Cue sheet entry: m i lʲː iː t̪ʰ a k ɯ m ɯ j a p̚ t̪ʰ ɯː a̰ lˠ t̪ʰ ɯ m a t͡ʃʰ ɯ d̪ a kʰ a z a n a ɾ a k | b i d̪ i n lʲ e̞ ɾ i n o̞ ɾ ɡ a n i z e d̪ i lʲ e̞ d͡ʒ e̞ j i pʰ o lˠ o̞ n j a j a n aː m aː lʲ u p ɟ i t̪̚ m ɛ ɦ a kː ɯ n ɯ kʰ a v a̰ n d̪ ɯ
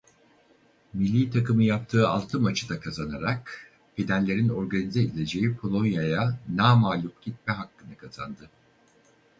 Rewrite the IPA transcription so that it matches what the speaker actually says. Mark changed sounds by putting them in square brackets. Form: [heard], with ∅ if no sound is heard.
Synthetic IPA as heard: m i lʲː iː t̪ʰ a k ɯ m ɯ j a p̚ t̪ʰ ɯː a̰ lˠ t̪ʰ ɯ m a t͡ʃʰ ɯ d̪ a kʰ a z a n a ɾ a k | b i d̪ [æ] n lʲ e̞ ɾ i n o̞ ɾ ɡ a n i z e d̪ i lʲ e̞ d͡ʒ e̞ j i pʰ o lˠ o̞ n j a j a n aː m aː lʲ u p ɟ i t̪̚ m ɛ ɦ a kː ɯ n ɯ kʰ a [z] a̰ n d̪ ɯ